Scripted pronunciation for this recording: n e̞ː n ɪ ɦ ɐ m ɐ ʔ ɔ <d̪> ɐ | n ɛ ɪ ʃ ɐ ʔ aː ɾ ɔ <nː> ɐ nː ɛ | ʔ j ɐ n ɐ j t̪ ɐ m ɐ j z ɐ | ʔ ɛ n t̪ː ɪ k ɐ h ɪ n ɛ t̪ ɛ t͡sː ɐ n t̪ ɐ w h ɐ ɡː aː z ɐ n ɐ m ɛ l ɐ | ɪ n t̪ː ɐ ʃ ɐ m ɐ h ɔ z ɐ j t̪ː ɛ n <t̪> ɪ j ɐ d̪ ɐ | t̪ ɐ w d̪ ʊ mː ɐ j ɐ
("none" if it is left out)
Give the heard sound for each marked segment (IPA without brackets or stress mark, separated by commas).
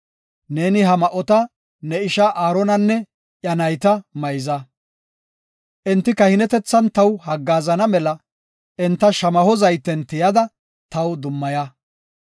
t̪, n, t̪